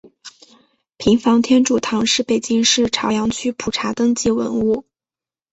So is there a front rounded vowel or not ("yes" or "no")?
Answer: yes